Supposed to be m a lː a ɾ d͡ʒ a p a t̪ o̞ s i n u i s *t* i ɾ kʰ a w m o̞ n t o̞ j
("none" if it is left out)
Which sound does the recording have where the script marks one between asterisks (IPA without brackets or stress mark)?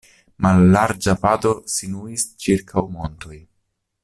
t͡ʃ